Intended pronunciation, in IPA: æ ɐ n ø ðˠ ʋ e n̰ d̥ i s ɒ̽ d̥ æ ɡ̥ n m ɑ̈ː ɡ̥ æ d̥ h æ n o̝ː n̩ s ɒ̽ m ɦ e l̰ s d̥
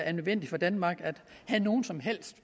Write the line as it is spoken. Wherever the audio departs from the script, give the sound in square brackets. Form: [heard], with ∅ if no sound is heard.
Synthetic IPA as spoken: æ ɐ n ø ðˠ ʋ e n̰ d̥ i [f] ɒ̽ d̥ æ [∅] n m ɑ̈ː ɡ̥ æ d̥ h æ n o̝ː n̩ s ɒ̽ m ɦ e l̰ s d̥